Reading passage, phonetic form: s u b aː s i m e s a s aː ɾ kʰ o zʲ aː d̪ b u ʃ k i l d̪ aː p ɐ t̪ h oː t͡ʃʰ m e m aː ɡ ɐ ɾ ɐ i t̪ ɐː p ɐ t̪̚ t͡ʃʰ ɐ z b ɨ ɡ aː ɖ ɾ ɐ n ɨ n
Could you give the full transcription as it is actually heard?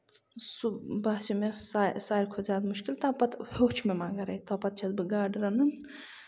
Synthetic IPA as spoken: s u b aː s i m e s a s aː ɾ kʰ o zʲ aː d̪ m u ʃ k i l t̪ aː p ɐ t̪ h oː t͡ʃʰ m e m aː ɡ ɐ ɾ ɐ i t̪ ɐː p ɐ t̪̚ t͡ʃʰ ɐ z b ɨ ɡ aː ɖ ɾ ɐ n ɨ n